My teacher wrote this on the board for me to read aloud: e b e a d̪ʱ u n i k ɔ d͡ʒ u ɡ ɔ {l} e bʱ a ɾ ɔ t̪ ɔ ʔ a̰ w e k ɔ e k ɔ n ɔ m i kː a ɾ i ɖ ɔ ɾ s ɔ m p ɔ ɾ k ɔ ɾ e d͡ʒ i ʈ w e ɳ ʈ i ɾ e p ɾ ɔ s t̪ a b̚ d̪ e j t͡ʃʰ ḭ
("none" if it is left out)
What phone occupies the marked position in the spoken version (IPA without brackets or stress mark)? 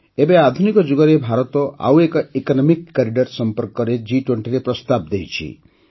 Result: ɾ